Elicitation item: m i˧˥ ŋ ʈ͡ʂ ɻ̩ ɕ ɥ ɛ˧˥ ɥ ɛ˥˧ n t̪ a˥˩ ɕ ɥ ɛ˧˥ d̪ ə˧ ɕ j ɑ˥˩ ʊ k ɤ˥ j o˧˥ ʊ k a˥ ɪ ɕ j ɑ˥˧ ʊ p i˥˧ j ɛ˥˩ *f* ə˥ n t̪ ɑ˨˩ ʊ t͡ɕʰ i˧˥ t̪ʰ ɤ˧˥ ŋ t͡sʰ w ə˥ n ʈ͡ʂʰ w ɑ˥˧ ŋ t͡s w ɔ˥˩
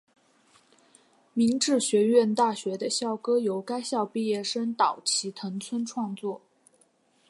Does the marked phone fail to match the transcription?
yes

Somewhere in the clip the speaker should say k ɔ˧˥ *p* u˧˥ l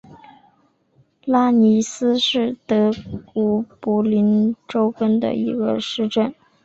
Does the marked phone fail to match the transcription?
no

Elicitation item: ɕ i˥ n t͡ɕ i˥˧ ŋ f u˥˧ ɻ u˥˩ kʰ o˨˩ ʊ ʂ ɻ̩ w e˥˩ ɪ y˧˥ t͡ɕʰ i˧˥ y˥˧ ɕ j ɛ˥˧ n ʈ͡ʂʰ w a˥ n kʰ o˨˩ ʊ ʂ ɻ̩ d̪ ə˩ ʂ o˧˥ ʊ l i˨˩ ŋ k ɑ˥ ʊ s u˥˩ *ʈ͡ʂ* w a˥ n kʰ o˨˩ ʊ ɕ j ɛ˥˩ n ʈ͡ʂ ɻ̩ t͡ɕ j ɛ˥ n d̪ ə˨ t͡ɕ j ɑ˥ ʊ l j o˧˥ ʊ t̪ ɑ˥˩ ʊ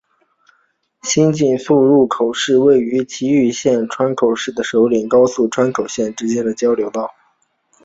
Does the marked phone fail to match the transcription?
yes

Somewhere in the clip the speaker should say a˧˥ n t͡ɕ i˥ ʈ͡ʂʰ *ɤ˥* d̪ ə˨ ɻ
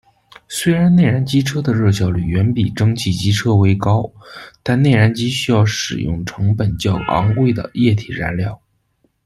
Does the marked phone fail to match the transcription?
no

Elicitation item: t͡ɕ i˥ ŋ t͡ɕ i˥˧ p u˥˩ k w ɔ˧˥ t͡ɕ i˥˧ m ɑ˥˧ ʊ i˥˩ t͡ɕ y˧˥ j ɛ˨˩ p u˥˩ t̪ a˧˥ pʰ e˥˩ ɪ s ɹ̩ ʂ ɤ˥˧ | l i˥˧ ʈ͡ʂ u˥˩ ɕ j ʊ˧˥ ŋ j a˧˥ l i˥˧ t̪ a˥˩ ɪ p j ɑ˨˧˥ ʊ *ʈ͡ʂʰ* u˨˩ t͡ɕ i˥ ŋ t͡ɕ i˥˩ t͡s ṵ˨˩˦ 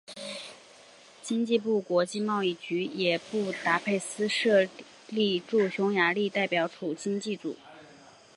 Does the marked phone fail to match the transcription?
no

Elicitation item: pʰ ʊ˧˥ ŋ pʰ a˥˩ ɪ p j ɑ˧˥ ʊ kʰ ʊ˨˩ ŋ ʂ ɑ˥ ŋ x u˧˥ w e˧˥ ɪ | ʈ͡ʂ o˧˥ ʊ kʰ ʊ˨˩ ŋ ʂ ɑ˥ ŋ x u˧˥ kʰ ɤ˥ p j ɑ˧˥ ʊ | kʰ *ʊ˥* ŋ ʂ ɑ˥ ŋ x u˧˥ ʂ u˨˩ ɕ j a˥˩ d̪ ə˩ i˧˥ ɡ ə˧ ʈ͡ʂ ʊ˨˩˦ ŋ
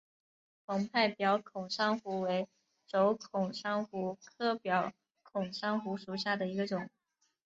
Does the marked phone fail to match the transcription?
yes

